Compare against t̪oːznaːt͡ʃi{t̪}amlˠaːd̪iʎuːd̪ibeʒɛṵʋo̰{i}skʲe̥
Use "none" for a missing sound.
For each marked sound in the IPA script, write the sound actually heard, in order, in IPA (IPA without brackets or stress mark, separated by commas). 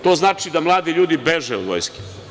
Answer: d̪, j